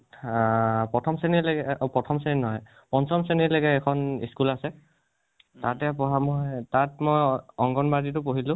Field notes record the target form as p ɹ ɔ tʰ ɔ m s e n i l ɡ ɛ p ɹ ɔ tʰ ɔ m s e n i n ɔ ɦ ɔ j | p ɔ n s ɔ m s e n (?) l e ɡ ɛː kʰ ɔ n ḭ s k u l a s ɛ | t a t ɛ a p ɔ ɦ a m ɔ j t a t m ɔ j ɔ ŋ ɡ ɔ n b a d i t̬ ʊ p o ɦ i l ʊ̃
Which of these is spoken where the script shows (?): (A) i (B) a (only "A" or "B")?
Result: A